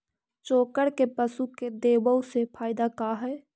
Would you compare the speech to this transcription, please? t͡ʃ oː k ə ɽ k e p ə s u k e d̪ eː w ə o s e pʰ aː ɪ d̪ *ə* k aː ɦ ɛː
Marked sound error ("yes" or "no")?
yes